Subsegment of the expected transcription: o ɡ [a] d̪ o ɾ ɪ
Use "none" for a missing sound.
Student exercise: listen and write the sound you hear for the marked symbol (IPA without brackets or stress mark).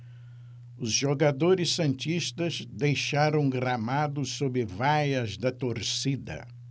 a